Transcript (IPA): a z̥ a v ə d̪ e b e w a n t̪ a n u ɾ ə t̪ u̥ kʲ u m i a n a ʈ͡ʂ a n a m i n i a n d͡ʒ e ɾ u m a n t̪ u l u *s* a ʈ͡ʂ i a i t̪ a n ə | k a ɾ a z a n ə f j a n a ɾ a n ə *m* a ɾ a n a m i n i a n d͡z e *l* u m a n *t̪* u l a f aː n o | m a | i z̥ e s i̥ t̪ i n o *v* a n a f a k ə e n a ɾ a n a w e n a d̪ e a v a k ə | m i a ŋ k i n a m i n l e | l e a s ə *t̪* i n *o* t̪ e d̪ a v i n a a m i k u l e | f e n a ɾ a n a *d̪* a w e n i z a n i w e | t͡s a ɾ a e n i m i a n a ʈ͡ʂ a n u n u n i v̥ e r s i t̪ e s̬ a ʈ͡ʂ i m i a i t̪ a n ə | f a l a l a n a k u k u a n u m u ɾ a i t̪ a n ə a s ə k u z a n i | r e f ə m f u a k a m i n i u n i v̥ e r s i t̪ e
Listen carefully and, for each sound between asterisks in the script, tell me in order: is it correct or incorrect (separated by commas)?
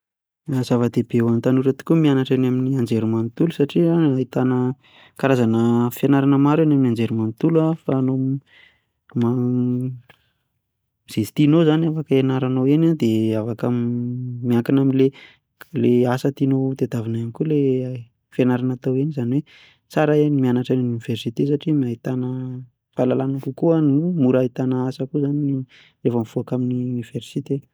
correct, correct, incorrect, correct, incorrect, correct, correct, incorrect